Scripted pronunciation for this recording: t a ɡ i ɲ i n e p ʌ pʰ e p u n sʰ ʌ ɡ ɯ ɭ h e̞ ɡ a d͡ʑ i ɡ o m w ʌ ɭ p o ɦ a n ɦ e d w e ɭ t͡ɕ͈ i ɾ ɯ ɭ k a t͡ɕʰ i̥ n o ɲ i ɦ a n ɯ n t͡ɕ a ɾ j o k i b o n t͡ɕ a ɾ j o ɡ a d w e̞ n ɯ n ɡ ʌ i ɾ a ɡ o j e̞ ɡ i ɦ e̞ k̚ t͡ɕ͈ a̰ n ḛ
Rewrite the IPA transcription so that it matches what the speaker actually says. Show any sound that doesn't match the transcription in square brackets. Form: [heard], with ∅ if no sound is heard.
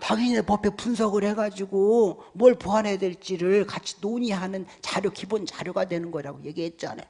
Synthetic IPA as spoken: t a ɡ i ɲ i n e p ʌ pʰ e p u n sʰ ʌ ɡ ɯ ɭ h e̞ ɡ a d͡ʑ i ɡ o m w ʌ ɭ p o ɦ a n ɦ e d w e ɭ t͡ɕ͈ i ɾ ɯ ɭ k a t͡ɕʰ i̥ n o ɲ i ɦ a n ɯ n t͡ɕ a ɾ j o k i b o n t͡ɕ a ɾ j o ɡ a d w e̞ n ɯ n ɡ ʌ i ɾ a ɡ o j e̞ ɡ i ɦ e̞ [t̚] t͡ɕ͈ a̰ n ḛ